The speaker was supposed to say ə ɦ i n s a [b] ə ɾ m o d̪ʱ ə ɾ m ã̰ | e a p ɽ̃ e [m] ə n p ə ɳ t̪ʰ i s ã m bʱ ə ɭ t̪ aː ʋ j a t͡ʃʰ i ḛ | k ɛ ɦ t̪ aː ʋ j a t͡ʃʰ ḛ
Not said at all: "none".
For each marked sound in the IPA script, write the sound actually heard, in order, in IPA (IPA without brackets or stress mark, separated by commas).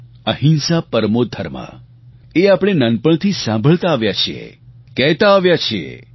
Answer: p, n